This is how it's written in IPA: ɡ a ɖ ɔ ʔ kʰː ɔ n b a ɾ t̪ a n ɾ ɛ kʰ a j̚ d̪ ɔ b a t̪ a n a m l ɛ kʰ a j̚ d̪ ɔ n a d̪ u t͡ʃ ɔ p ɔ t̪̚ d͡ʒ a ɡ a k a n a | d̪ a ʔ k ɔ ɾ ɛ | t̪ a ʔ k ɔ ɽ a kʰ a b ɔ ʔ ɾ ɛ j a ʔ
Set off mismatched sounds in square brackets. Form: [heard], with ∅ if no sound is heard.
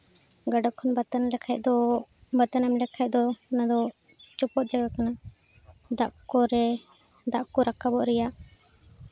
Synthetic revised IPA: ɡ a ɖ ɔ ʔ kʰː ɔ n b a [∅] t̪ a n [l] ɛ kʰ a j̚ d̪ ɔ b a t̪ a n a m l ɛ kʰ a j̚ d̪ ɔ n a d̪ [ɔ] t͡ʃ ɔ p ɔ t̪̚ d͡ʒ a ɡ a k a n a | d̪ a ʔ k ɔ ɾ ɛ | [d̪] a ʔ k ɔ [ɾ] a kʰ a b ɔ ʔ ɾ ɛ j a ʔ